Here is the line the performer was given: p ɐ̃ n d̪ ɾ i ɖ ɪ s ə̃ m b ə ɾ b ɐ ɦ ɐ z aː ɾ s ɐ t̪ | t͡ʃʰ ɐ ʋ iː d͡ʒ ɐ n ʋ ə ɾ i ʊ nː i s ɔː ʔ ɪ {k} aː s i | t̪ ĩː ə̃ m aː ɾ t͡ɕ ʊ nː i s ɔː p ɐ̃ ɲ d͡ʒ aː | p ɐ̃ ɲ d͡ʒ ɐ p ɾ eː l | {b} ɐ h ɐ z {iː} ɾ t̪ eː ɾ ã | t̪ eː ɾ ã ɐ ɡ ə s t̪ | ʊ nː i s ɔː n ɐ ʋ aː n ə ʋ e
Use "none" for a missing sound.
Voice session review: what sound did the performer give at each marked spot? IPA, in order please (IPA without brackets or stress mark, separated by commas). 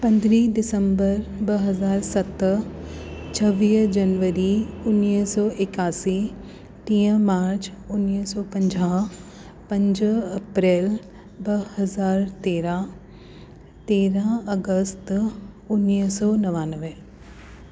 k, b, aː